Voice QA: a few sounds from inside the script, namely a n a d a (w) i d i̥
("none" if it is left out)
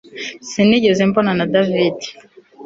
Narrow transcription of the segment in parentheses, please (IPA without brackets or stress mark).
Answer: v